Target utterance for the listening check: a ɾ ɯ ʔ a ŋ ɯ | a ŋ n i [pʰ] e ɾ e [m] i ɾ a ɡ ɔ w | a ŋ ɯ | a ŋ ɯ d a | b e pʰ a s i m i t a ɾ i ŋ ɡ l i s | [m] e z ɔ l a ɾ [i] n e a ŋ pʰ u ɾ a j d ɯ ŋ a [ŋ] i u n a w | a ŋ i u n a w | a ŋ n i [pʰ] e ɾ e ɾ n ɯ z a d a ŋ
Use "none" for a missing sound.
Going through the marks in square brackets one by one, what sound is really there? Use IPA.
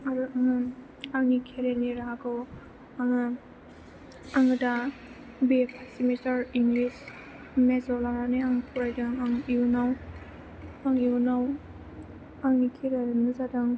kʰ, n, m, a, ŋ, kʰ

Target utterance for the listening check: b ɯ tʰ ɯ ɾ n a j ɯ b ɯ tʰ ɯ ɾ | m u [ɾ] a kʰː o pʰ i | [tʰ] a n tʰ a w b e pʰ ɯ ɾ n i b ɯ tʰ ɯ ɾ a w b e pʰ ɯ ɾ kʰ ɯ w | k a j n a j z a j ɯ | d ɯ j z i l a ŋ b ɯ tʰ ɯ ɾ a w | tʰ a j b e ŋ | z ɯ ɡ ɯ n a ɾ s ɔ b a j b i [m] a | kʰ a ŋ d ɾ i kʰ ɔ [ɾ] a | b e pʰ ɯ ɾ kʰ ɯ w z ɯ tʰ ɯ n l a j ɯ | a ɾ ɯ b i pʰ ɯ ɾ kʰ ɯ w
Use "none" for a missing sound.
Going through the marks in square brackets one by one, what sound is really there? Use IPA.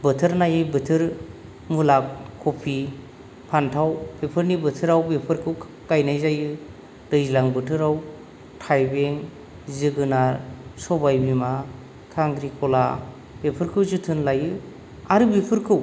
l, pʰ, m, l

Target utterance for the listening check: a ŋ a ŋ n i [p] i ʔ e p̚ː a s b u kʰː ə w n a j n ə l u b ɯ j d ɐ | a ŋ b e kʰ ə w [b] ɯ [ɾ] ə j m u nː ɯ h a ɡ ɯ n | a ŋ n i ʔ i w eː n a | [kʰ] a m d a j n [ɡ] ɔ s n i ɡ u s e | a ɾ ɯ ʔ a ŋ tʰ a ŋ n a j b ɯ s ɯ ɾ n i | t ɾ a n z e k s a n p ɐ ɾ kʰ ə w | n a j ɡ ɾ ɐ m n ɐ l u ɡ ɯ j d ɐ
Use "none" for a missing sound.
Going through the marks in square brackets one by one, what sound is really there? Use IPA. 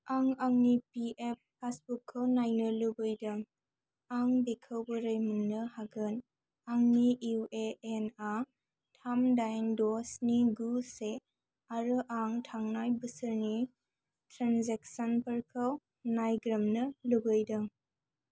p, b, ɾ, tʰ, d

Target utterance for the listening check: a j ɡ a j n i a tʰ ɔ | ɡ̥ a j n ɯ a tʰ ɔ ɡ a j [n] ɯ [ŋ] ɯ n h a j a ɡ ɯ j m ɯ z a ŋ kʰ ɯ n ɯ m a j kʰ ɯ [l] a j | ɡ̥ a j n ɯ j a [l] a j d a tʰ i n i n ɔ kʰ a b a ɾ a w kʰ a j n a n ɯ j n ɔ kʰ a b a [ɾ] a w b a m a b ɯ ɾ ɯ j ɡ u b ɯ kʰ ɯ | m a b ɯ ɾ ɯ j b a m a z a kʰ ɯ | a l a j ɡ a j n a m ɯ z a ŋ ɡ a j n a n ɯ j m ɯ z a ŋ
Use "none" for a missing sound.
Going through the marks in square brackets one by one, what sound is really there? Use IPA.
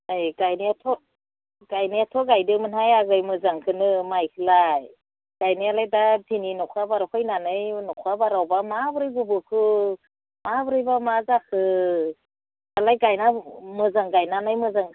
d, m, l, l, ɾ

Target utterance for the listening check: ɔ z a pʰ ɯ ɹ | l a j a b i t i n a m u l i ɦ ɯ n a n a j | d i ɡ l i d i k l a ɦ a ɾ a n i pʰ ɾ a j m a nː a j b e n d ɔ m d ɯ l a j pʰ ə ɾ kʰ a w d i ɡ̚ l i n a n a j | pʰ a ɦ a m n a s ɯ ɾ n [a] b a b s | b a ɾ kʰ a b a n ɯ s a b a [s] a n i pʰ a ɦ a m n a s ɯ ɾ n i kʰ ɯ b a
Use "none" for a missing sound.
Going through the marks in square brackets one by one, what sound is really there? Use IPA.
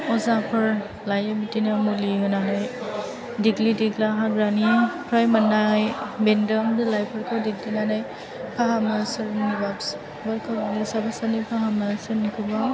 i, s

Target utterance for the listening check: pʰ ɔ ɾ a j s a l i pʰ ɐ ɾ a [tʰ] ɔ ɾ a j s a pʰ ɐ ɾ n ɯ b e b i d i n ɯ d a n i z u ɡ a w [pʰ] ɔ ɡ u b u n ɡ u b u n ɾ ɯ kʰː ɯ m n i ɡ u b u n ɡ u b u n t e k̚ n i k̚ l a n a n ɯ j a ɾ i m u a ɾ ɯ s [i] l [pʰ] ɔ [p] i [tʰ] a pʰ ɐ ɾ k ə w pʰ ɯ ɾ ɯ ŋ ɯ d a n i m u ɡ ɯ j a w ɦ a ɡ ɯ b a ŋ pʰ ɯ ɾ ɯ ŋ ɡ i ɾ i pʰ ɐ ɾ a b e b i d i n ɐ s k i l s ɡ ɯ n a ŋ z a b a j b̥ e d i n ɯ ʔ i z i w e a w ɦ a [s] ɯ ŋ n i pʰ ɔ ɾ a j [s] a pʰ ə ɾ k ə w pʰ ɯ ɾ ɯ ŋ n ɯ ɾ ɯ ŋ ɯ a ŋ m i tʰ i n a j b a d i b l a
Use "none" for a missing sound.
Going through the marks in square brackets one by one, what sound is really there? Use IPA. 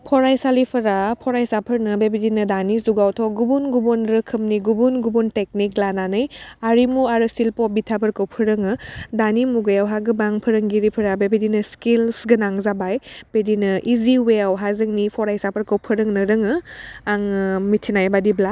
pʰ, tʰ, i, p, b, tʰ, z, s

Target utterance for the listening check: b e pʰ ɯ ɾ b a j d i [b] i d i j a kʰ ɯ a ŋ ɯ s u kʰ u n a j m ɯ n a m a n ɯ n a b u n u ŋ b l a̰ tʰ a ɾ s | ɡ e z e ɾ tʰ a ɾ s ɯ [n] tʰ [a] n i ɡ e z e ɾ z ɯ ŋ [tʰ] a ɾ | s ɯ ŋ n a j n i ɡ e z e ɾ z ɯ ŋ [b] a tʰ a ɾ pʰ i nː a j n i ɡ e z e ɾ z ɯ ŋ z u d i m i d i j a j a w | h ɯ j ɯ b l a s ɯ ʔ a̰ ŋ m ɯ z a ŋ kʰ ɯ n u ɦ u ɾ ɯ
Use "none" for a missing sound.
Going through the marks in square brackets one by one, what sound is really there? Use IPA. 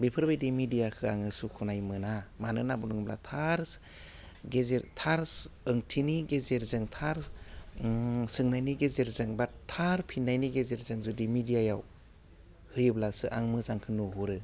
m, ŋ, i, tʰ, b

